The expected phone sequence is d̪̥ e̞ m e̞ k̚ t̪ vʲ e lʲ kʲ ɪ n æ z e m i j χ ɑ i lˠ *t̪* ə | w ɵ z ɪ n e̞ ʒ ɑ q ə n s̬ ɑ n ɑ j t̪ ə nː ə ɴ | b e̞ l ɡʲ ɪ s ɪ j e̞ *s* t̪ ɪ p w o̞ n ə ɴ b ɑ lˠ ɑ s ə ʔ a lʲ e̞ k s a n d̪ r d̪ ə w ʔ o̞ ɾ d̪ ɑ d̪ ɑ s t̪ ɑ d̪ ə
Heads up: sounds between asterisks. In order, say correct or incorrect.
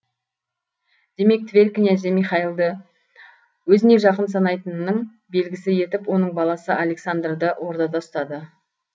incorrect, incorrect

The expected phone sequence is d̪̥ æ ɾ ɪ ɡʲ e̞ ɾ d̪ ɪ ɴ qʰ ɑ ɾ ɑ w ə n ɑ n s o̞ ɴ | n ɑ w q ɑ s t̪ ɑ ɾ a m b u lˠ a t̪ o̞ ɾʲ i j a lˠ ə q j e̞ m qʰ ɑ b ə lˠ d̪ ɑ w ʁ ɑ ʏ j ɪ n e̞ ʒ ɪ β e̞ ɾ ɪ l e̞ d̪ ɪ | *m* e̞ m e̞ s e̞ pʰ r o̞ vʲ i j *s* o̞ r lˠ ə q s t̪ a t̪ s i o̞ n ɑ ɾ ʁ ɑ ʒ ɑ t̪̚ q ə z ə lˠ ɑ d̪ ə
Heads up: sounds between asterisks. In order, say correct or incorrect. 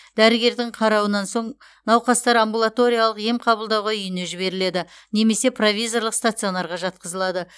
incorrect, incorrect

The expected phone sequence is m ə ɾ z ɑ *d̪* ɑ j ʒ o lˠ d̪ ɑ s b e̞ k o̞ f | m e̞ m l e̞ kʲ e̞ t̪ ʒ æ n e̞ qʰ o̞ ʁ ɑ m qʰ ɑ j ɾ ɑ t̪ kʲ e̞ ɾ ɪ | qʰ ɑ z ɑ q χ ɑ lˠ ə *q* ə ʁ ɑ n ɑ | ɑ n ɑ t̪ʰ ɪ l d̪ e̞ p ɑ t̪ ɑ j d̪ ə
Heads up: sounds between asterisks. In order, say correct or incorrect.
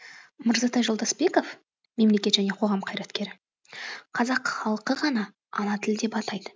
incorrect, correct

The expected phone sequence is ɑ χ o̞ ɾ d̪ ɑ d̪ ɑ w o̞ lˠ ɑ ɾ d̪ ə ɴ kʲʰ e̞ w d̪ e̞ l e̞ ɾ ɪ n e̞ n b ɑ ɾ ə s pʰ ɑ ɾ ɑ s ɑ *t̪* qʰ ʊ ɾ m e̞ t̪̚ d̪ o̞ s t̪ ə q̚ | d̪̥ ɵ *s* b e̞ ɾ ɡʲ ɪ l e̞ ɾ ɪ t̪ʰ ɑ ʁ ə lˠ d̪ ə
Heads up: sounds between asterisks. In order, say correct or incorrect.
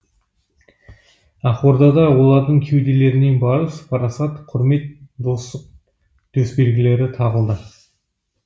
correct, correct

